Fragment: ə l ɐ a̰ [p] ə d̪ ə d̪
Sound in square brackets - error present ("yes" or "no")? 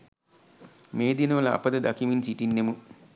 no